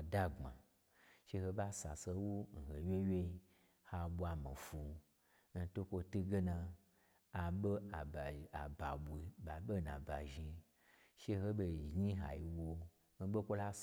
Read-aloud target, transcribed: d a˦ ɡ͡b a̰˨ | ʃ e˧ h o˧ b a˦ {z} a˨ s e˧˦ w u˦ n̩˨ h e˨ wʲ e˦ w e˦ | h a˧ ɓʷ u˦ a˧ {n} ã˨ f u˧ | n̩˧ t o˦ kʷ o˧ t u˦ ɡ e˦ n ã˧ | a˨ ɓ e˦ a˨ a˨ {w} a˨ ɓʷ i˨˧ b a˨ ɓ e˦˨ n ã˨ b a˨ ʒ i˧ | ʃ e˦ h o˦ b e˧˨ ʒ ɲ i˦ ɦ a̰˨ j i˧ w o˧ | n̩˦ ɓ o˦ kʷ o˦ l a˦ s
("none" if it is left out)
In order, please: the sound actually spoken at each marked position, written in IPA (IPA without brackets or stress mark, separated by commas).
s, m, b